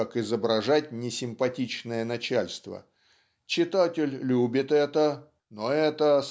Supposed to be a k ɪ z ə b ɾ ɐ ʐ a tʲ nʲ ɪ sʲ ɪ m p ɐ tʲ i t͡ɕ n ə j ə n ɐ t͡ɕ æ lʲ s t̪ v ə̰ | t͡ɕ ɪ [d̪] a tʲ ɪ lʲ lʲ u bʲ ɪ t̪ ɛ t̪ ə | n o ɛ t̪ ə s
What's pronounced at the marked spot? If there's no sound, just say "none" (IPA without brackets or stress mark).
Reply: t̪